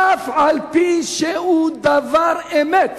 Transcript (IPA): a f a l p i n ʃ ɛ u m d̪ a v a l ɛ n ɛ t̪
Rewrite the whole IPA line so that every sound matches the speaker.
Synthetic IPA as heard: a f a l p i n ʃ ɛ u d̪ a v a ɾ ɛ m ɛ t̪